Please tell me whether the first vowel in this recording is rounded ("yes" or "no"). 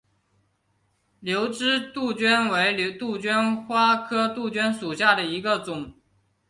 yes